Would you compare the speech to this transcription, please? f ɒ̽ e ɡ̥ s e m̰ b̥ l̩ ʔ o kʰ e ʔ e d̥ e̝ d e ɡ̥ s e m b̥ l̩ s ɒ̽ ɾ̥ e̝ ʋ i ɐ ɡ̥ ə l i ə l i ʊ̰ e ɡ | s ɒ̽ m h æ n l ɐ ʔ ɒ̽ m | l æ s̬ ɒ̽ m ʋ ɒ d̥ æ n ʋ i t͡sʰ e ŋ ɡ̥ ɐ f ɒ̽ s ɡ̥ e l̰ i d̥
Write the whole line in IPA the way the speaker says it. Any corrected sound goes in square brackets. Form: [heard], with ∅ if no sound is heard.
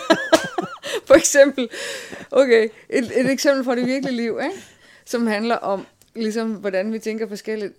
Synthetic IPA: f ɒ̽ e ɡ̥ s e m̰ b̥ l̩ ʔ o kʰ e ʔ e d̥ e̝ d e ɡ̥ s e m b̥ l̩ [f] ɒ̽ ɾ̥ e̝ ʋ i ɐ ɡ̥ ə l i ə l i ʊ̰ e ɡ | s ɒ̽ m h æ n l ɐ ʔ ɒ̽ m | l [i] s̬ ɒ̽ m ʋ ɒ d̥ æ n ʋ i t͡sʰ e ŋ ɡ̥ ɐ f ɒ̽ s ɡ̥ e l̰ i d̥